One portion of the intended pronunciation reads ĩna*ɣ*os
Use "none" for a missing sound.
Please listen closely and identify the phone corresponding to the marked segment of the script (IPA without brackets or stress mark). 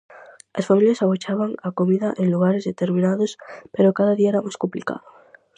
ð